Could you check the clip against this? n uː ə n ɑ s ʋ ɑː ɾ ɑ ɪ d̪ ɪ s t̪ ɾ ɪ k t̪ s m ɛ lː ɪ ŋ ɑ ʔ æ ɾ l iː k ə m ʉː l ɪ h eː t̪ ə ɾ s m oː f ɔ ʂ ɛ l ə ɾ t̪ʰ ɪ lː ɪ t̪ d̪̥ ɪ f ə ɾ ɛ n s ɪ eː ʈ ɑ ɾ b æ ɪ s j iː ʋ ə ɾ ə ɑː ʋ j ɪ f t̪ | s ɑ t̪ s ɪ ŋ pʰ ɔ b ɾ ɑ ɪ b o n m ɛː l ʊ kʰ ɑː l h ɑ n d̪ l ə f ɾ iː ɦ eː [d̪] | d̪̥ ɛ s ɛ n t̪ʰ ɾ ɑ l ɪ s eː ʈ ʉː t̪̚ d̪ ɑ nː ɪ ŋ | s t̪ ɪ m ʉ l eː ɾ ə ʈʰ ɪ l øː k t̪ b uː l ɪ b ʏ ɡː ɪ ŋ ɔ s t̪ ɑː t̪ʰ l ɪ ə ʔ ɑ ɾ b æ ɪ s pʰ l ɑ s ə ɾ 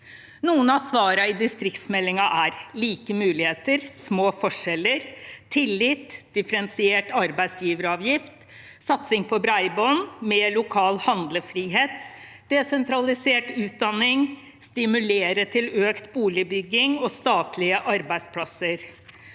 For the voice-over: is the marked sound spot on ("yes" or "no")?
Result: no